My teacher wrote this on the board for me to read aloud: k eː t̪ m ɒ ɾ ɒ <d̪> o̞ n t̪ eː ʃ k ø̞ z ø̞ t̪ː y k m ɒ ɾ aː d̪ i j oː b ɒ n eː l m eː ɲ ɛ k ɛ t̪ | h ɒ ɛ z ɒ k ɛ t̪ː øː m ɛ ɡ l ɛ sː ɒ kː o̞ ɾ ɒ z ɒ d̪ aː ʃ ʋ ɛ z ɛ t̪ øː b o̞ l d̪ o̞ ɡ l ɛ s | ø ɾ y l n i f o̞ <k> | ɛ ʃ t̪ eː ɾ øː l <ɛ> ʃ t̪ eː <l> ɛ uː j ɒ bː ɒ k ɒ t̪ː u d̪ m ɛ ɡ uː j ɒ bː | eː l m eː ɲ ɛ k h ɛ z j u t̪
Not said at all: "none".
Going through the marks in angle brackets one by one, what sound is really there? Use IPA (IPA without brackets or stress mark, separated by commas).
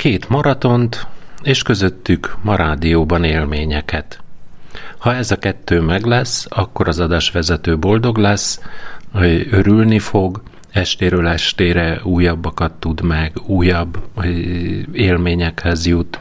t̪, ɡ, ɛ, ɾ